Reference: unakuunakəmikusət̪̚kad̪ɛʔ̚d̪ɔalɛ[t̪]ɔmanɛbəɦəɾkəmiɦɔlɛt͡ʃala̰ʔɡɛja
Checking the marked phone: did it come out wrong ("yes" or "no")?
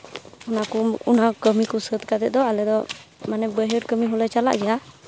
yes